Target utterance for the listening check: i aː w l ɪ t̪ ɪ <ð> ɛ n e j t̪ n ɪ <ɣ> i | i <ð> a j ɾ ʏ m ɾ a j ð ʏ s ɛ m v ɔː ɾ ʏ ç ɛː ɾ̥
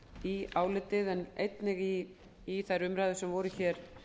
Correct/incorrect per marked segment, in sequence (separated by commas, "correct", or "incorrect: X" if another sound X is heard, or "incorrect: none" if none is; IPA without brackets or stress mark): correct, correct, incorrect: θ